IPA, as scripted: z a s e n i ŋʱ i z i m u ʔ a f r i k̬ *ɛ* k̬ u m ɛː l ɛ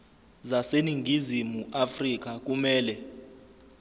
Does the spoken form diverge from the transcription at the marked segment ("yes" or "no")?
yes